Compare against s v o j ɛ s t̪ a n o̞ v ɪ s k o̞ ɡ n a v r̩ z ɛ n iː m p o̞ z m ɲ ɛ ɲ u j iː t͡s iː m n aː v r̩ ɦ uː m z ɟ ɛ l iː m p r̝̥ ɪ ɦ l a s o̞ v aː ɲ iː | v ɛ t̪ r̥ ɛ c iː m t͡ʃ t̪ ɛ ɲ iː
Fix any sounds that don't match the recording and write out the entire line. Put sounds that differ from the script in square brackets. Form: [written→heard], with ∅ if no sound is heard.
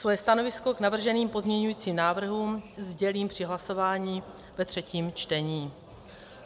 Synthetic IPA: s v o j ɛ s t̪ a n o̞ v ɪ s k o̞ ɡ n a v r̩ [z→ʒ] ɛ n iː m p o̞ z m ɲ ɛ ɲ u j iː t͡s iː m n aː v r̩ ɦ uː m z ɟ ɛ l iː m p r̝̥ ɪ ɦ l a s o̞ v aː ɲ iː | v ɛ t̪ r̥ ɛ c iː m t͡ʃ t̪ ɛ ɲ iː